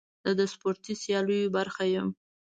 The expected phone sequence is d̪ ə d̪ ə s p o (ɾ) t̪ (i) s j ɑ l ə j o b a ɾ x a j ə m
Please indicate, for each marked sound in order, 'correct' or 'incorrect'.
correct, correct

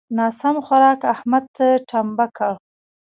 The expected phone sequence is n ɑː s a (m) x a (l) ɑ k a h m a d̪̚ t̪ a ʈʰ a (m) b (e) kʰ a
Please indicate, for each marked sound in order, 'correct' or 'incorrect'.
correct, incorrect: ɾ, correct, incorrect: a

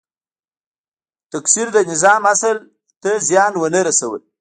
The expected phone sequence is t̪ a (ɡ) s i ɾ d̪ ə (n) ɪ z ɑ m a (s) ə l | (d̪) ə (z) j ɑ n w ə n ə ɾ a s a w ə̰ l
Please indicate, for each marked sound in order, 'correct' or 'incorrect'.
incorrect: k, correct, correct, incorrect: t̪, correct

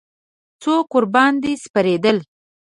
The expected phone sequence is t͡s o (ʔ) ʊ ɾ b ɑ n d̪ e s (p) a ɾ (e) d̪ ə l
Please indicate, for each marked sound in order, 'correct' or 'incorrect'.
incorrect: k, correct, correct

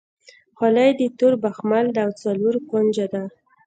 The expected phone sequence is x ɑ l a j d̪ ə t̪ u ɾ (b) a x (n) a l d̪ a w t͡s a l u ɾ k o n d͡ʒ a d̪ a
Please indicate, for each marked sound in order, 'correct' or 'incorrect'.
correct, incorrect: m

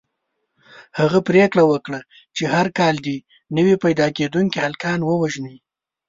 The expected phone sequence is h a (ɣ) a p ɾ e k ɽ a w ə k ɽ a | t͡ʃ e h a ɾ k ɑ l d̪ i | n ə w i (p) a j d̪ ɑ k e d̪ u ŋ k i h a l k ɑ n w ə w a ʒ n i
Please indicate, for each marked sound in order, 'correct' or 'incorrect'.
correct, correct

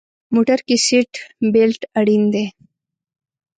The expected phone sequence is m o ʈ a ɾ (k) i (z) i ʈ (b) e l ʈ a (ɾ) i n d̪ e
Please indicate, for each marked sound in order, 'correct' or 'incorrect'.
correct, incorrect: s, correct, incorrect: ɽ

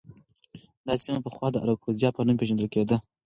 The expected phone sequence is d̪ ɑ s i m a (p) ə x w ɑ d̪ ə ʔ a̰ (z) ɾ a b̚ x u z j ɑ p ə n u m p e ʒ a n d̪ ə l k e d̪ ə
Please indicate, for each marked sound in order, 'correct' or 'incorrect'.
correct, incorrect: none

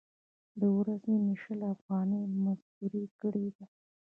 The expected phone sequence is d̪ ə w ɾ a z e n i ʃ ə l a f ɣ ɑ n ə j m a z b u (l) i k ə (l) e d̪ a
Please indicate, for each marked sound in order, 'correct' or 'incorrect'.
incorrect: ɾ, incorrect: ɽ

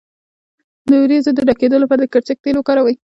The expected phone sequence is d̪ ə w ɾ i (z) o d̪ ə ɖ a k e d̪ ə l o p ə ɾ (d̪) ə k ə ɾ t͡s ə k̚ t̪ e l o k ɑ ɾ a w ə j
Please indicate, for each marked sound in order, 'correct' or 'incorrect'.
correct, correct

